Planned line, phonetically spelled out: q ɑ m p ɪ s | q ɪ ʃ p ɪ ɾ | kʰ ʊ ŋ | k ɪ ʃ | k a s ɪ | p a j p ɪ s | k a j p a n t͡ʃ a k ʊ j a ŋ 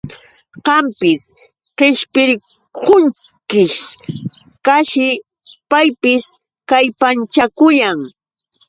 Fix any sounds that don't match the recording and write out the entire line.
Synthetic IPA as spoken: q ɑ m p ɪ s | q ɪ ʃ p ɪ ɾ | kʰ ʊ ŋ | k ɪ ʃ | k a ʃ ɪ | p a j p ɪ s | k a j p a n t͡ʃ a k ʊ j a ŋ